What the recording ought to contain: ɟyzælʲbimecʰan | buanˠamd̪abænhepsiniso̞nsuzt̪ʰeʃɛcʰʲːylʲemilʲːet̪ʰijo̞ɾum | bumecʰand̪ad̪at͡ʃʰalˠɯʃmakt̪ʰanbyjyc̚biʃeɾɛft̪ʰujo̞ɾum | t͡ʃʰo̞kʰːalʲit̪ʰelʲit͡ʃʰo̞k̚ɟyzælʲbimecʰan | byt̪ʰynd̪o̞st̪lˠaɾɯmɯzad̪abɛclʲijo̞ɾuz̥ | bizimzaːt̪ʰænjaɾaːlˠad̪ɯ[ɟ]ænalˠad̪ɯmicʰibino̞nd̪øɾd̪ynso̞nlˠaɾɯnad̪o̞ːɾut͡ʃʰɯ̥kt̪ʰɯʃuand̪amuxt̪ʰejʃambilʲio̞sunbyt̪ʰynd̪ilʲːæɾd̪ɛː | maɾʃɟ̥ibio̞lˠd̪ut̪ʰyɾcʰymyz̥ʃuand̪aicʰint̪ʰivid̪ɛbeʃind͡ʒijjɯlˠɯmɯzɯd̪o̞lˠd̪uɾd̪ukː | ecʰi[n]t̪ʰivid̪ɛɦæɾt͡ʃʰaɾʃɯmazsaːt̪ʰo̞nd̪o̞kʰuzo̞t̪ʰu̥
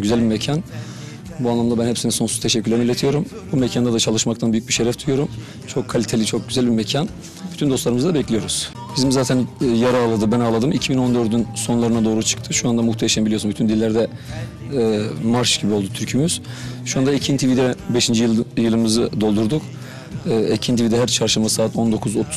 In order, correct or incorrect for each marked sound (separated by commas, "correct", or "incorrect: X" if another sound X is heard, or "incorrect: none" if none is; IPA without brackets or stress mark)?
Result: incorrect: b, correct